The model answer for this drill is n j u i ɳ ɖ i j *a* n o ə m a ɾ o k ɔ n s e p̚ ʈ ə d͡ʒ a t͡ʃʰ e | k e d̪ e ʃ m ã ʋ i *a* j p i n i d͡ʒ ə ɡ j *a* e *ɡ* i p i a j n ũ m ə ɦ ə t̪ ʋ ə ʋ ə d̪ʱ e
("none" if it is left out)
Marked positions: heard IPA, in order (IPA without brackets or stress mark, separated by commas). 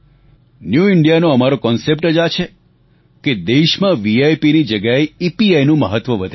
a, a, a, none